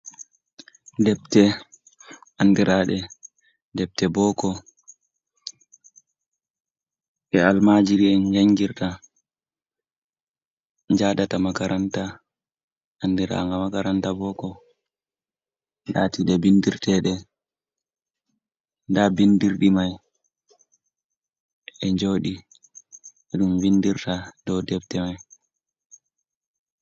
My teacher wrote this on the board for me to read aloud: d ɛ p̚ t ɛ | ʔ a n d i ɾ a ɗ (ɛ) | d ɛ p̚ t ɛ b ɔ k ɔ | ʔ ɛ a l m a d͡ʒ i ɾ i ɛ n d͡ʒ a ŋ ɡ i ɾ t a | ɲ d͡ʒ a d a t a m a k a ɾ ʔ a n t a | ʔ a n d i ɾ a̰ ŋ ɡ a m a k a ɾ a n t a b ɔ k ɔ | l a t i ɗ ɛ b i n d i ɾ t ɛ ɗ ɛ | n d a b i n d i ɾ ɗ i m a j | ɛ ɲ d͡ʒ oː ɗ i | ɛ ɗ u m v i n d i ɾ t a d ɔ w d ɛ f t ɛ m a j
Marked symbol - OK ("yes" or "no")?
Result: yes